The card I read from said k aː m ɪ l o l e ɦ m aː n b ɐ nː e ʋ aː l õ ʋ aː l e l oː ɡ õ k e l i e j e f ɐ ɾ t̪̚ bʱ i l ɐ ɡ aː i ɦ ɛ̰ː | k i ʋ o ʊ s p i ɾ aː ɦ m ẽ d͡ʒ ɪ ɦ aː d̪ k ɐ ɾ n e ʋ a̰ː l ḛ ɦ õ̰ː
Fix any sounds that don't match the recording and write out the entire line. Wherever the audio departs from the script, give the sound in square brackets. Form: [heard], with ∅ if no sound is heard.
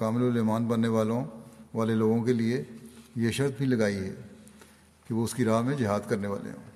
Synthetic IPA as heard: k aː m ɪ l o l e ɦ m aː n b ɐ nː e ʋ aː l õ ʋ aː l e l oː ɡ õ k e l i e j e [ʃ] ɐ ɾ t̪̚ bʱ i l ɐ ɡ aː i ɦ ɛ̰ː | k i ʋ o ʊ s [k] i ɾ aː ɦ m ẽ d͡ʒ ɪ ɦ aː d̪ k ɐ ɾ n e ʋ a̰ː l ḛ ɦ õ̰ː